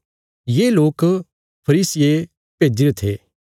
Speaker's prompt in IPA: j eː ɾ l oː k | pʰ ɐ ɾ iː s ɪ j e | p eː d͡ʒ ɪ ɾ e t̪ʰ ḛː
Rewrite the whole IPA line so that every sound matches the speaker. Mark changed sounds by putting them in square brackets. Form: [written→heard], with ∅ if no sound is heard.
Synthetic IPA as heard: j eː [ɾ→∅] l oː k | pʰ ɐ ɾ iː s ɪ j e | p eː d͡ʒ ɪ ɾ e t̪ʰ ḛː